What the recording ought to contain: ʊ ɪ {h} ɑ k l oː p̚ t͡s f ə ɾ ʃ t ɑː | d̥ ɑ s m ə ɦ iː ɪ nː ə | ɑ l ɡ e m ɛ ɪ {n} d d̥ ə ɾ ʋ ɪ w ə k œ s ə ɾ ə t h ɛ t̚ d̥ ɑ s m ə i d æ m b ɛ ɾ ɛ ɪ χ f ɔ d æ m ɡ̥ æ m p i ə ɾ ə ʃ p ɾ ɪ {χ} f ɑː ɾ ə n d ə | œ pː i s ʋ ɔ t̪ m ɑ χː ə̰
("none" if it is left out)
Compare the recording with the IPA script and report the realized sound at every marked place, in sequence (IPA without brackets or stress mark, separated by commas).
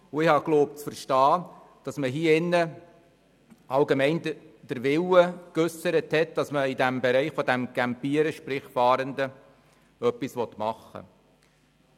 h, n, χ